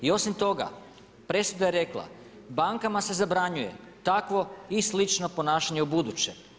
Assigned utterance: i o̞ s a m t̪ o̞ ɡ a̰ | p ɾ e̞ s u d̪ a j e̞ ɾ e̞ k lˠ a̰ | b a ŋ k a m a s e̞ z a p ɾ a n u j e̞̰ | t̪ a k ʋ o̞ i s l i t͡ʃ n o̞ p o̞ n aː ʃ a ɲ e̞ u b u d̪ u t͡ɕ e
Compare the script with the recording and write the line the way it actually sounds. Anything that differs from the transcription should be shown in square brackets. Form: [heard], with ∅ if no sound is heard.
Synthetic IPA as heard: i o̞ s [i] m t̪ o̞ ɡ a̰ | p ɾ e̞ s u d̪ a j e̞ ɾ e̞ k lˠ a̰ | b a ŋ k a m a s e̞ z a [b] ɾ a [ɲ] u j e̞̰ | t̪ a k ʋ o̞ i s l i t͡ʃ n o̞ p o̞ n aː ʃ a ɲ e̞ u b u d̪ u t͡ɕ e

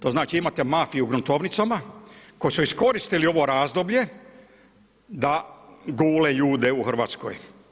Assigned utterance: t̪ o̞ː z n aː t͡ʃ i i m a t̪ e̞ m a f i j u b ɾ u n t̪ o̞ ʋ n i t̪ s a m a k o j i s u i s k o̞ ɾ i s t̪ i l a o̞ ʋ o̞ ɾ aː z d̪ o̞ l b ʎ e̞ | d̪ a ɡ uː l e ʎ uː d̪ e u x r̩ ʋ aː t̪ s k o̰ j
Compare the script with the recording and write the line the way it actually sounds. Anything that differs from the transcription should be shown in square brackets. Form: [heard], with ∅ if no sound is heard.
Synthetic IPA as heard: t̪ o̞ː z n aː t͡ʃ i i m a t̪ e̞ m a f i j u [ɡ] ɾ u n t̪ o̞ ʋ n i t̪ s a m a k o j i s u i s k o̞ ɾ i s t̪ i l [i] o̞ ʋ o̞ ɾ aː z d̪ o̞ [∅] b ʎ e̞ | d̪ a ɡ uː l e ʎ uː d̪ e u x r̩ ʋ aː t̪ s k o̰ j

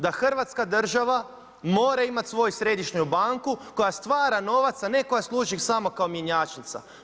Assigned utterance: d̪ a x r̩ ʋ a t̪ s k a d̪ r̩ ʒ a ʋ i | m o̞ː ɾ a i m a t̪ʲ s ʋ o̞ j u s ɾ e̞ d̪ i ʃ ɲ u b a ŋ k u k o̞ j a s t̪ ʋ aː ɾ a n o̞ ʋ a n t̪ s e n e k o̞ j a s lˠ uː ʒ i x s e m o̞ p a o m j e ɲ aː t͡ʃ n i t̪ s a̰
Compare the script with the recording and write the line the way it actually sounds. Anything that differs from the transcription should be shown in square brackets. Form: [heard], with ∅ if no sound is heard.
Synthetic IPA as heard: d̪ a x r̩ ʋ a t̪ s k a d̪ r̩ ʒ a ʋ [a] | m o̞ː ɾ a i m a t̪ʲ s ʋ o̞ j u s ɾ e̞ d̪ i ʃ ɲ u b a ŋ k u k o̞ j a s t̪ ʋ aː ɾ a n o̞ ʋ a [∅] t̪ s [a] n e k o̞ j a s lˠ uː ʒ i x s [a] m o̞ [k] a o m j e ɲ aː t͡ʃ n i t̪ s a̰

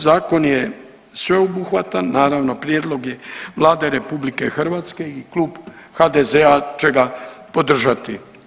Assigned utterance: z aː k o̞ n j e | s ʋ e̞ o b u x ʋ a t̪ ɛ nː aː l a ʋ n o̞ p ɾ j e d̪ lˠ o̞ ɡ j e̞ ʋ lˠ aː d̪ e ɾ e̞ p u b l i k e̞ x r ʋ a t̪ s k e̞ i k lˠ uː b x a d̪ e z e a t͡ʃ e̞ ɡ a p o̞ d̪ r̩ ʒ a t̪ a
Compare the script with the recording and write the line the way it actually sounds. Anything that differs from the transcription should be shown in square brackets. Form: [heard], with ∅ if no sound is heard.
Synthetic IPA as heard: z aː k o̞ n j e | s ʋ e̞ o b u x ʋ a t̪ [a] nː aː [ɾ] a ʋ n o̞ p ɾ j e d̪ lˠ o̞ ɡ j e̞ ʋ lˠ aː d̪ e ɾ e̞ p u b l i k e̞ x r ʋ a t̪ s k e̞ i k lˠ uː b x a d̪ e z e a t͡ʃ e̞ ɡ a p o̞ d̪ r̩ ʒ a t̪ [i]

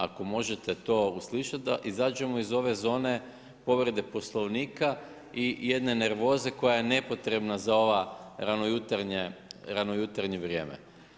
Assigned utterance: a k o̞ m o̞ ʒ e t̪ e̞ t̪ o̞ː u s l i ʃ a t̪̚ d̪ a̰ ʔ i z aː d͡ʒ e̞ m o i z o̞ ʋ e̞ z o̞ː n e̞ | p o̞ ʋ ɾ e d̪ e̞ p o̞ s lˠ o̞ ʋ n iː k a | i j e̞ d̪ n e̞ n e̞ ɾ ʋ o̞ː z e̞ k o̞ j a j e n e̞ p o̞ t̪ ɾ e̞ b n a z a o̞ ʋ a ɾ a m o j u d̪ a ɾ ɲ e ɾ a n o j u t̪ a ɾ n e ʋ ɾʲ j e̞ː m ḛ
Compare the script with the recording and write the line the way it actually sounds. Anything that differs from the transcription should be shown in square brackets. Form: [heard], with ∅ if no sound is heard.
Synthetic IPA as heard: a k o̞ m o̞ ʒ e t̪ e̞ t̪ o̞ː u s l i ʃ a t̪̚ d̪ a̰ ʔ i z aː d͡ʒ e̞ m o i z o̞ ʋ e̞ z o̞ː n e̞ | p o̞ ʋ ɾ e d̪ e̞ p o̞ s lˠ o̞ ʋ n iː k a | i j e̞ d̪ n e̞ n e̞ ɾ ʋ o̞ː z e̞ k o̞ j a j e n e̞ p o̞ t̪ ɾ e̞ b n a z a o̞ ʋ a ɾ a [n] o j u [t̪] a ɾ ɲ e ɾ a n o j u t̪ a ɾ [ɲ] e ʋ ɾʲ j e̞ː m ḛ

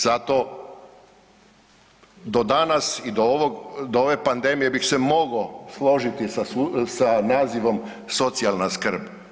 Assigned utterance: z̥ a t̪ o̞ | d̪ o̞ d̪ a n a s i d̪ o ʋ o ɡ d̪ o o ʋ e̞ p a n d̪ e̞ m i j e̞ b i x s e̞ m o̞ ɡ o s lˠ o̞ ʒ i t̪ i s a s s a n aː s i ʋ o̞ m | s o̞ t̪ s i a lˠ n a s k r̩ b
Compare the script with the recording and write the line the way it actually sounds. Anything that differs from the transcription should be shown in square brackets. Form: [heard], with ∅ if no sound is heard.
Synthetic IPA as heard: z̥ a t̪ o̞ | d̪ o̞ d̪ a n a s i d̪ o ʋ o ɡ d̪ o o ʋ e̞ p a n d̪ e̞ m i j e̞ b i x s e̞ m o̞ ɡ o s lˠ o̞ ʒ i t̪ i s a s s a n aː [z] i ʋ o̞ m | s o̞ t̪ s i a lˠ n a s k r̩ b

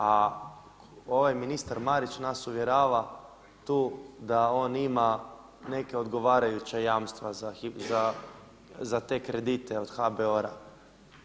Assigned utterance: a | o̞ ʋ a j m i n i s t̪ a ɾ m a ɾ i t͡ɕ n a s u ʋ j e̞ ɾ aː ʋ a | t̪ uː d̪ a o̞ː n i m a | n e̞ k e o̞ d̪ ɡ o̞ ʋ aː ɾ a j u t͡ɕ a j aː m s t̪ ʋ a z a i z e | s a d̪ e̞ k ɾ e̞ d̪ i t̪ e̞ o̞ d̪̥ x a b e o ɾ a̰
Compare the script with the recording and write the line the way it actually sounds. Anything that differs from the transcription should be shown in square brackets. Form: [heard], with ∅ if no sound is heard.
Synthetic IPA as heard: a | o̞ ʋ a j m i n i s t̪ a ɾ m a ɾ i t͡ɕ n a s u ʋ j e̞ ɾ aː ʋ a | t̪ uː d̪ a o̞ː n i m a | n e̞ k e o̞ d̪ ɡ o̞ ʋ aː ɾ a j u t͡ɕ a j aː m s t̪ ʋ a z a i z [a] | [z] a [t̪] e̞ k ɾ e̞ d̪ i t̪ e̞ o̞ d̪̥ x a b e o ɾ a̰

